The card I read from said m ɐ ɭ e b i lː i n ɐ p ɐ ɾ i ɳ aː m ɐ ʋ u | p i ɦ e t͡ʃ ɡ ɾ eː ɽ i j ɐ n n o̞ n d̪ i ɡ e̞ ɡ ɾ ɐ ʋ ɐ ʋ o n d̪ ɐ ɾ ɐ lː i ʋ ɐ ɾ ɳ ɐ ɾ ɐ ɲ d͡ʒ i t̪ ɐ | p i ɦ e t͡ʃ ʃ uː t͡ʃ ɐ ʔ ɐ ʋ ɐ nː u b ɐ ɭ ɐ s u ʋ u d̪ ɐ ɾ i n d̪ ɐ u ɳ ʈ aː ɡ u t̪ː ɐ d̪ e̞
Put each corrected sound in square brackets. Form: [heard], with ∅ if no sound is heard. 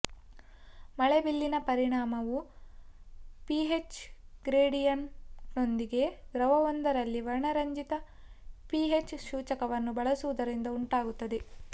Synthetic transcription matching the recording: m ɐ ɭ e b i lː i n ɐ p ɐ ɾ i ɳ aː m ɐ ʋ u | p i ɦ e t͡ʃ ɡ ɾ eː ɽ i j ɐ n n o̞ n d̪ i ɡ e̞ ɡ ɾ ɐ ʋ ɐ ʋ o n d̪ ɐ ɾ ɐ lː i ʋ ɐ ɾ ɳ ɐ ɾ ɐ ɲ d͡ʒ i t̪ ɐ | p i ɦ e t͡ʃ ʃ uː t͡ʃ ɐ [k] ɐ ʋ ɐ nː u b ɐ ɭ ɐ s u ʋ u d̪ ɐ ɾ i n d̪ ɐ u ɳ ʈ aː ɡ u t̪ː ɐ d̪ e̞